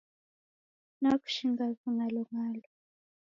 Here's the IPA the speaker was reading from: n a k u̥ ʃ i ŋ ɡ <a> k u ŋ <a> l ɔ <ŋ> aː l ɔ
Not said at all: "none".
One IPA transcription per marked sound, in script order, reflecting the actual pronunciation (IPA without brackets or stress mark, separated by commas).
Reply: a, a, ŋ